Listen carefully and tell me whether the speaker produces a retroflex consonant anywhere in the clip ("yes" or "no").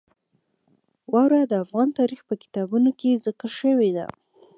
no